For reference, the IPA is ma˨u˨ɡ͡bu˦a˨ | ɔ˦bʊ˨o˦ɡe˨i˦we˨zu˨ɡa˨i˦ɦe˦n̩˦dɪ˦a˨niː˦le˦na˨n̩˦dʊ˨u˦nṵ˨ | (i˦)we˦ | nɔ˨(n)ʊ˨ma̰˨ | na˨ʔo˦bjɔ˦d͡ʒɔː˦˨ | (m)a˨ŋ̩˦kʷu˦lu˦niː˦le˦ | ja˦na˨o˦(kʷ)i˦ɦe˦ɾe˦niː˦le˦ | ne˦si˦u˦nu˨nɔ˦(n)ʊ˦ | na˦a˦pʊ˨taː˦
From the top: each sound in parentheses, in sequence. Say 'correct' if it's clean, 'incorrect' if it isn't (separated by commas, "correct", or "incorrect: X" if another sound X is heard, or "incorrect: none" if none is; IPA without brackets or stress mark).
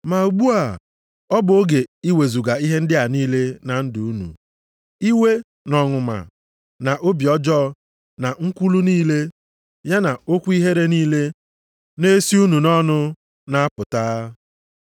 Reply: correct, incorrect: ŋ, incorrect: n, correct, correct